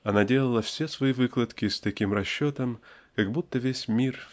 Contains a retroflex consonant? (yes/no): no